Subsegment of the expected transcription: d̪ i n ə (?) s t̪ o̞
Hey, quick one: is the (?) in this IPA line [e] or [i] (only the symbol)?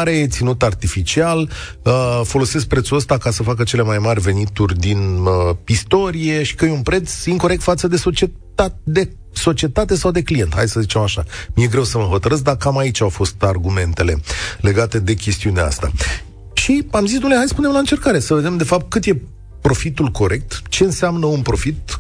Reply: i